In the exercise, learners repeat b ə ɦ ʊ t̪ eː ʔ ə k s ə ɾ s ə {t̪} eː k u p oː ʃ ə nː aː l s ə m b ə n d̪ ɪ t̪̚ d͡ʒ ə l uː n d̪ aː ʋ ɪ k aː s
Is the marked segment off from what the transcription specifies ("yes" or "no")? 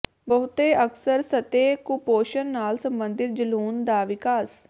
no